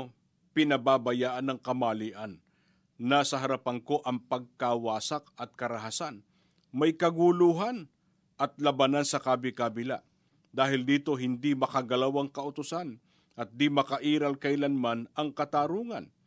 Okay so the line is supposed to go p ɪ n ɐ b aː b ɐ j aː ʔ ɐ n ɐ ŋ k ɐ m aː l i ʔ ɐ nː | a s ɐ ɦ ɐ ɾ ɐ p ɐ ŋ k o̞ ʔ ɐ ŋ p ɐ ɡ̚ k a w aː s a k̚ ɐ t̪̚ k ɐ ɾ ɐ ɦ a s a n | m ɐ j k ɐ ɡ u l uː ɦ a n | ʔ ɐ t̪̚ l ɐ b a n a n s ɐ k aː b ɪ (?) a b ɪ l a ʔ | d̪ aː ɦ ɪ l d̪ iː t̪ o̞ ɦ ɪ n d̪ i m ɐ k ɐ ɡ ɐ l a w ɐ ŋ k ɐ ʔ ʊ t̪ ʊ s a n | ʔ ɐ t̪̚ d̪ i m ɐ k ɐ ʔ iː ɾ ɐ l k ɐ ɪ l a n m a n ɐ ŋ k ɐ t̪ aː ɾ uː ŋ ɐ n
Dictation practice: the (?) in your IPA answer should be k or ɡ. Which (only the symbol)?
k